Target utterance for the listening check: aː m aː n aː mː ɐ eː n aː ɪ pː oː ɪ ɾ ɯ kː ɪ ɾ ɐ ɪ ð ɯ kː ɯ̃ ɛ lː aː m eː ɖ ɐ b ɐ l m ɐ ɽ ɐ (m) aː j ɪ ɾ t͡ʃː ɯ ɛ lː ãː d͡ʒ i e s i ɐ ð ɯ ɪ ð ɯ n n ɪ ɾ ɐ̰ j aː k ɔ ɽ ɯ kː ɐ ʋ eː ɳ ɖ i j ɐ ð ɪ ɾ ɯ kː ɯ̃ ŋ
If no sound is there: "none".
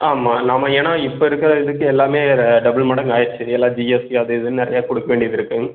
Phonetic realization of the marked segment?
ŋ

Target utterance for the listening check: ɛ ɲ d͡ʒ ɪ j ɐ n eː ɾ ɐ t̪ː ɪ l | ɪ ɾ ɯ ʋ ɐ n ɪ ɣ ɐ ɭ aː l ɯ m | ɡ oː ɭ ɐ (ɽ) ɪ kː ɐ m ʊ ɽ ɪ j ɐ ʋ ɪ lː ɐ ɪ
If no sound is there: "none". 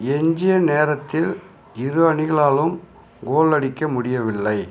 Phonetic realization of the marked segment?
ɽ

